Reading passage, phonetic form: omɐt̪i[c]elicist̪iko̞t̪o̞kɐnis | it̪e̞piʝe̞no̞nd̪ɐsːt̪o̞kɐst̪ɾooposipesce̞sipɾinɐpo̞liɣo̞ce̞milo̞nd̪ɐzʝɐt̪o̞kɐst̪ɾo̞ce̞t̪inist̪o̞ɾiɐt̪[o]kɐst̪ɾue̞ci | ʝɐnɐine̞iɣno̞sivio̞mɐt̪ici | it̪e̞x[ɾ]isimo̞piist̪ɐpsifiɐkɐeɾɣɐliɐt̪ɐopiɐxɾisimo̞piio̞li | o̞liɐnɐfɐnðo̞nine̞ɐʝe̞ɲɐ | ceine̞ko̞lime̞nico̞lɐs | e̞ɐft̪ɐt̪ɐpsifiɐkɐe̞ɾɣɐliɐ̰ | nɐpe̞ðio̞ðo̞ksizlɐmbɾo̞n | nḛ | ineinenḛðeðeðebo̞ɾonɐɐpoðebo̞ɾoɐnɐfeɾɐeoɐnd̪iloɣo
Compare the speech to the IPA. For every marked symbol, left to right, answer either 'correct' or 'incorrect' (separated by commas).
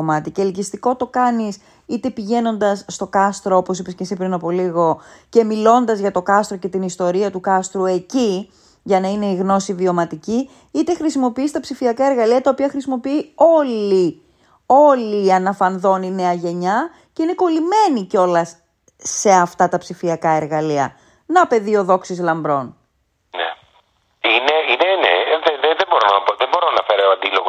correct, incorrect, correct